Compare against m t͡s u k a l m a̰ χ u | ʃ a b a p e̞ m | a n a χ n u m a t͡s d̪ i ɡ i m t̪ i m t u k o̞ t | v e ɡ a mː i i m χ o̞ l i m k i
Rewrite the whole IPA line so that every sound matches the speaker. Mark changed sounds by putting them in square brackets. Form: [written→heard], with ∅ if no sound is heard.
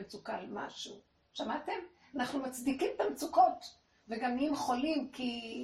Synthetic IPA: m t͡s u k a l m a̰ [χ→ʃ] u | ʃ a [b→m] a [p→t] e̞ m | a n a χ n u m a t͡s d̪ i [ɡ→k] i m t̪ [i→a] m [t→t͡s] u k o̞ t | v e ɡ a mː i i m χ o̞ l i m k i